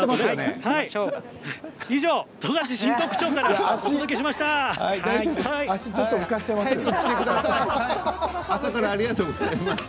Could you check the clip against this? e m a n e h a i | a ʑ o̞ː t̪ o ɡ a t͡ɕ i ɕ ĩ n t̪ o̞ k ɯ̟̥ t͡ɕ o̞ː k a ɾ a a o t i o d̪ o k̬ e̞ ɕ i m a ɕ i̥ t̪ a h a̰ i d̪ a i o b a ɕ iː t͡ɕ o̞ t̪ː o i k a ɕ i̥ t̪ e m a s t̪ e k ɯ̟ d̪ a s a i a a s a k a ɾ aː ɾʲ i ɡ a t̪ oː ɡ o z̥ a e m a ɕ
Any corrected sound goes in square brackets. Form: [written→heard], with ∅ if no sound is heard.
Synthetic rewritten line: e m a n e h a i | [a→i] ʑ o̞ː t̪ o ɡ a t͡ɕ i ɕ ĩ n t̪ o̞ k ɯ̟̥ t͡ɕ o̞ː k a ɾ a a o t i o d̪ o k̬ e̞ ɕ i m a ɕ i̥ t̪ a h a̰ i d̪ a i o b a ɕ [iː→i] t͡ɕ o̞ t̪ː o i k a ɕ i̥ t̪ e m a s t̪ e k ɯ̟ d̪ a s a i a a s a k a ɾ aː ɾʲ i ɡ a t̪ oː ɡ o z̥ a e m a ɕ